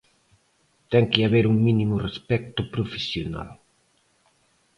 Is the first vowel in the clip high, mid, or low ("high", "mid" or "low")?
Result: mid